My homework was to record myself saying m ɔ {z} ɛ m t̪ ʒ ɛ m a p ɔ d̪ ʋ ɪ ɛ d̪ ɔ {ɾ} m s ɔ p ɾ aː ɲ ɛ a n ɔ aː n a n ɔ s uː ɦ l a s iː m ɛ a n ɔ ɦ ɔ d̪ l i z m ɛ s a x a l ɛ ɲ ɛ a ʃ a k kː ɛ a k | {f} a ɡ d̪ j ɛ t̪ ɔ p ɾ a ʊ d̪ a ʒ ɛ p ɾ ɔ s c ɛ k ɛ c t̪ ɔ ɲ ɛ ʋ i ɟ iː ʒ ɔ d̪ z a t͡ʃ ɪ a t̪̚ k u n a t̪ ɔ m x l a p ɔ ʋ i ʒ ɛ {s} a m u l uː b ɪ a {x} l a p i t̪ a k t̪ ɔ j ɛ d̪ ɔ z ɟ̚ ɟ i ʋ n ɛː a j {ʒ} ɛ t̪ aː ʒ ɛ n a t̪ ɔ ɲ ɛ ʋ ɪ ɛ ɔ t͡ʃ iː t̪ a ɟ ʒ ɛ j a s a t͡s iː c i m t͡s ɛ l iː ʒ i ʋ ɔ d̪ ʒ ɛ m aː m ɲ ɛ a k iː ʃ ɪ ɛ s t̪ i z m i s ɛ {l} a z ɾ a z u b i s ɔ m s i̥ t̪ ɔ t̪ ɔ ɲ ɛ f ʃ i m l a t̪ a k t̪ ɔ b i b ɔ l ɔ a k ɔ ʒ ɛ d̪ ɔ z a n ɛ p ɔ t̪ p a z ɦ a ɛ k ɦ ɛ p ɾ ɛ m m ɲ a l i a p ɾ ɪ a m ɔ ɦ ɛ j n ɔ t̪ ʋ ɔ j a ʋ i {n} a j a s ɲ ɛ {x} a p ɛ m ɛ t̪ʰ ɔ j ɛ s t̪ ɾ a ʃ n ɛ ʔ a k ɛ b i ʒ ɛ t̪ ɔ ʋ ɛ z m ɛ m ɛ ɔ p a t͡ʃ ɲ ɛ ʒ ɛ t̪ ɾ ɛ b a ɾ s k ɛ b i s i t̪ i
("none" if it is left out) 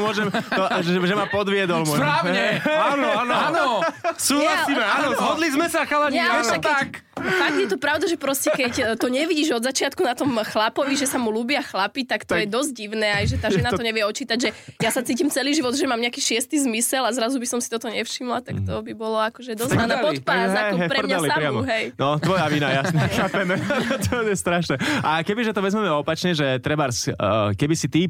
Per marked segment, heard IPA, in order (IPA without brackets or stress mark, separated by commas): ʒ, l, f, s, x, ʒ, l, n, x